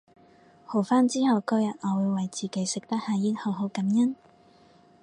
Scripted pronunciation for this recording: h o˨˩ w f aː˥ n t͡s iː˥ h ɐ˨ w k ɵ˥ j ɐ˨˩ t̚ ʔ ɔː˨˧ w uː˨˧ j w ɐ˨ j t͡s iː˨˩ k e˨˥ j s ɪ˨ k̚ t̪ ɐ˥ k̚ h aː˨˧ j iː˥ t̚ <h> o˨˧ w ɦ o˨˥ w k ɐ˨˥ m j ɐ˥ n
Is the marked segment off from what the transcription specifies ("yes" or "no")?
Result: no